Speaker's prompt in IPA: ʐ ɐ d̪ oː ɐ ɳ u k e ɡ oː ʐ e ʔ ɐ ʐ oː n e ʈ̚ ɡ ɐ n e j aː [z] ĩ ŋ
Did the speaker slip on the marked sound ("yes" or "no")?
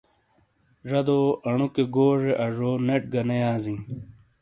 no